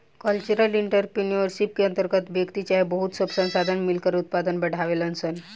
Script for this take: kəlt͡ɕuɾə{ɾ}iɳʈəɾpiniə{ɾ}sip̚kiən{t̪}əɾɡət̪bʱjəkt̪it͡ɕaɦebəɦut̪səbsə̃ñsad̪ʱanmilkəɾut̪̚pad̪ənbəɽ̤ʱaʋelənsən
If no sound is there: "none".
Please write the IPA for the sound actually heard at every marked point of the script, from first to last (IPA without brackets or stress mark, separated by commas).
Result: l, ɾ, t̪